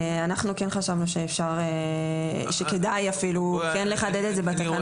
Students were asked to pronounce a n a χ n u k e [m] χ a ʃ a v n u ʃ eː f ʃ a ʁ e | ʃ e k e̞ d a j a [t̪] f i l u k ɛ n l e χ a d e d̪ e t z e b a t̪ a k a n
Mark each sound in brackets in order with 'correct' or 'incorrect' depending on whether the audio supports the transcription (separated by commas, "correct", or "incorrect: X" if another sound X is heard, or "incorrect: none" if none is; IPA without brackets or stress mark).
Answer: incorrect: n, incorrect: none